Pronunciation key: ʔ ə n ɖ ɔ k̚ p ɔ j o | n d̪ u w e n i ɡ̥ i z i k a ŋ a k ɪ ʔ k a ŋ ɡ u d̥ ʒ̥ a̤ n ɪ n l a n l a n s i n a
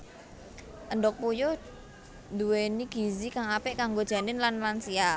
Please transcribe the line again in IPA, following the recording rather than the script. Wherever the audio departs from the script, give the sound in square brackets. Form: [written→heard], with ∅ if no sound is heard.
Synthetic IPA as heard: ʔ ə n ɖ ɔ k̚ p [ɔ→u] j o | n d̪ u w e n i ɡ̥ i z i k a ŋ a [k→p] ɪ ʔ k a ŋ ɡ [u→o] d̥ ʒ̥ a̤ n ɪ n l a n l a n s i [n→∅] a